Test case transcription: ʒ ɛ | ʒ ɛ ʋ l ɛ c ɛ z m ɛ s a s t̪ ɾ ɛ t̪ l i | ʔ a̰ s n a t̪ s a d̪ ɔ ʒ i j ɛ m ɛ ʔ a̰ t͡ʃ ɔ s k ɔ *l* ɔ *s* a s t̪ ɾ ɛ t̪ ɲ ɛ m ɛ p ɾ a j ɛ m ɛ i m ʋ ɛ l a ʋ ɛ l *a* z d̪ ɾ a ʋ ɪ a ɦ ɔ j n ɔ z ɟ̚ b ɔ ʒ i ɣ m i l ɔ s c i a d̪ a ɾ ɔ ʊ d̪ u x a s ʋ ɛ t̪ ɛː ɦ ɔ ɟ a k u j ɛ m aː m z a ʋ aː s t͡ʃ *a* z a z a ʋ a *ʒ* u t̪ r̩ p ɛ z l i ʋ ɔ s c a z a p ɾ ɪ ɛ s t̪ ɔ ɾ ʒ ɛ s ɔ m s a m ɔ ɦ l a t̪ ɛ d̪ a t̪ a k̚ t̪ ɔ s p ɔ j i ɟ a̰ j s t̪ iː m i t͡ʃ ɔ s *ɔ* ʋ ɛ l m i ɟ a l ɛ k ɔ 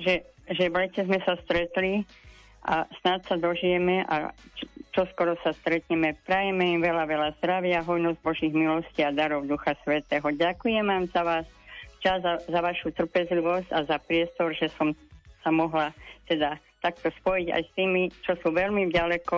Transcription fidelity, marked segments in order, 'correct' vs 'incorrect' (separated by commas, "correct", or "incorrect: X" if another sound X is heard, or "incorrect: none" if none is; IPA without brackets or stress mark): incorrect: ɾ, correct, correct, correct, incorrect: ʃ, incorrect: u